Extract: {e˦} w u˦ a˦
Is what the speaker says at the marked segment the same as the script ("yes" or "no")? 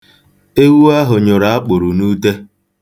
yes